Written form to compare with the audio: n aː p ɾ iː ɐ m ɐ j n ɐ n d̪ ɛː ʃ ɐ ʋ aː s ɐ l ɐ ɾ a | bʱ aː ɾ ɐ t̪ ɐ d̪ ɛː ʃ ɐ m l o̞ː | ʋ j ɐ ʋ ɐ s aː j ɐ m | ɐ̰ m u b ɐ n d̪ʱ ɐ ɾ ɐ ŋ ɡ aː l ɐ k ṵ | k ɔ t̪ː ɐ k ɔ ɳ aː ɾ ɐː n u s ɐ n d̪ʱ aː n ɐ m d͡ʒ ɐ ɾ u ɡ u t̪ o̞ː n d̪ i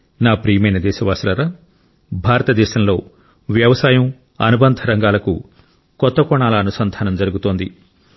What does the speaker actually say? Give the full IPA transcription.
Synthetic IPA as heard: n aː p ɾ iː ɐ m ɐ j n ɐ d̪ ɛː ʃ ɐ ʋ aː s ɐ l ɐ ɾ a | bʱ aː ɾ ɐ t̪ ɐ d̪ ɛː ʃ ɐ m l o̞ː | ʋ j ɐ ʋ ɐ s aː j ɐ m | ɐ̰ n u b ɐ n d̪ʱ ɐ ɾ ɐ ŋ ɡ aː l ɐ k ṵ | k ɔ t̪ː ɐ k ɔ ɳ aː l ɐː n u s ɐ n d̪ʱ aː n ɐ m d͡ʒ ɐ ɾ u ɡ u t̪ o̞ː n d̪ i